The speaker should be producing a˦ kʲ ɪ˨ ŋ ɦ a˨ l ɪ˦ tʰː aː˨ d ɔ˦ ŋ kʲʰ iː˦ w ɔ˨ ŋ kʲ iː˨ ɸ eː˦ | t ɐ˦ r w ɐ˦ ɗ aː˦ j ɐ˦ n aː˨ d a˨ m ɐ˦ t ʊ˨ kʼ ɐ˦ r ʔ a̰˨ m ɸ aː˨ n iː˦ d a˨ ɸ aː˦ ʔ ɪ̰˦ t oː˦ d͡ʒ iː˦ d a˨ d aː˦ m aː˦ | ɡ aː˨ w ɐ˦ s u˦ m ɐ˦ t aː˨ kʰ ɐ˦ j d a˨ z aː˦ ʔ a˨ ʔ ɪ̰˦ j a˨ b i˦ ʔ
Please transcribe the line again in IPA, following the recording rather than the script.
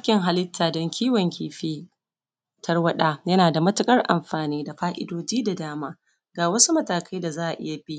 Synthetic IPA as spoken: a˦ kʲ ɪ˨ ŋ ɦ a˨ l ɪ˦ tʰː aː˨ d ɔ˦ ŋ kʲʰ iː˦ w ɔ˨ ŋ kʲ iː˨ ɸ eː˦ | t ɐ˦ r w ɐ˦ ɗ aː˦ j ɐ˦ n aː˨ d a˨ m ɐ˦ t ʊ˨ kʼ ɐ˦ r ʔ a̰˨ m ɸ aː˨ n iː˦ d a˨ ɸ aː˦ ʔ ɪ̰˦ d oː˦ d͡ʒ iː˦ d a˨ d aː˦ m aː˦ | ɡ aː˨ w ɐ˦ s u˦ m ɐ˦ t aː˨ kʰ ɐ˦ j d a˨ z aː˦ ʔ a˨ ʔ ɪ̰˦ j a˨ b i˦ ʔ